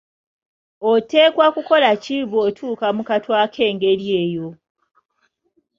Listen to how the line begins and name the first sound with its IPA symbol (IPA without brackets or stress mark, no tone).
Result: o